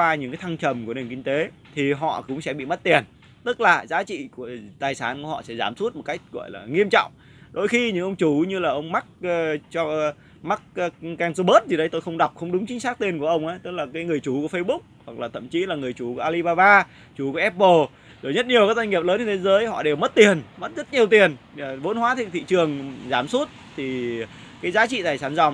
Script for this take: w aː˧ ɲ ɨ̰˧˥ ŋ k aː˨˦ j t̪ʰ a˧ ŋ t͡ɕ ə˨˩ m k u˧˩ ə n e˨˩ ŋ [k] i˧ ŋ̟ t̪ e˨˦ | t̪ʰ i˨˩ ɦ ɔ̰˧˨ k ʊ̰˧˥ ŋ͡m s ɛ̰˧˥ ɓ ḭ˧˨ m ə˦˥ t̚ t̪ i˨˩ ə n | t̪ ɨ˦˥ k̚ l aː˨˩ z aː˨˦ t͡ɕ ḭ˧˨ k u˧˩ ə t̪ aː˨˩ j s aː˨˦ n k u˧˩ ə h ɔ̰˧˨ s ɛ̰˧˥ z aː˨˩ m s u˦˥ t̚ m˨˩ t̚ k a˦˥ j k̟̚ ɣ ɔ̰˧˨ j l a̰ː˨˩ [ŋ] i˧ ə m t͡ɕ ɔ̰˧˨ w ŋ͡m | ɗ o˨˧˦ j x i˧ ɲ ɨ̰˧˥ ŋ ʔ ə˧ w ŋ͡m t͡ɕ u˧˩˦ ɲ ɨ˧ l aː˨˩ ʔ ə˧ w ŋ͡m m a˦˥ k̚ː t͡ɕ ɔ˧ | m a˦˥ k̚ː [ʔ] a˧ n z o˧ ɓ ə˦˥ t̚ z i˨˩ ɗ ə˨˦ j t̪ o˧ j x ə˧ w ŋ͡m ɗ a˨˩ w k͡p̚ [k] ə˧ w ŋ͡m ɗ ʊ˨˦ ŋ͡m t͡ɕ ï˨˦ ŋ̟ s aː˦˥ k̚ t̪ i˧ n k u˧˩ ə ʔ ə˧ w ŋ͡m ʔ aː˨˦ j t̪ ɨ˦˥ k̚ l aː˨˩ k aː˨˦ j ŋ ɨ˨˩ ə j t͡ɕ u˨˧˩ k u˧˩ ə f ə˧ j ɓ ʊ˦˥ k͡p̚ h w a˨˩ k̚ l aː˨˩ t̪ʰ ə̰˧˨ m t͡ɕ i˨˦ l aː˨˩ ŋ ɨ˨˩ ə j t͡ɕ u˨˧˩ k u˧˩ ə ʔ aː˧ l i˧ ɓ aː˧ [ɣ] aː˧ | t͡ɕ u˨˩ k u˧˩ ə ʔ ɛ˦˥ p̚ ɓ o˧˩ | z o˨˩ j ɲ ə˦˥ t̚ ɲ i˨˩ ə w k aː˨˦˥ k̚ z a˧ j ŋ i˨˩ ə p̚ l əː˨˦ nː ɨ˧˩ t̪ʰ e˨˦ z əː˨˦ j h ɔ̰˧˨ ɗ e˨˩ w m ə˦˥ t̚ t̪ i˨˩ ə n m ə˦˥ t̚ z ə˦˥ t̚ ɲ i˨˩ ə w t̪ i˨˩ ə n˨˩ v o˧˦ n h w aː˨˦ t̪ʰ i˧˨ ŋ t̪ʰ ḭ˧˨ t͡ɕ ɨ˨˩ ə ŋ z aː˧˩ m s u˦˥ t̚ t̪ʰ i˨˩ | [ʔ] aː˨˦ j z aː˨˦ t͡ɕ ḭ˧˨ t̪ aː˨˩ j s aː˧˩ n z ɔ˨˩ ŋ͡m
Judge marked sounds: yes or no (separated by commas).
yes, yes, no, no, no, no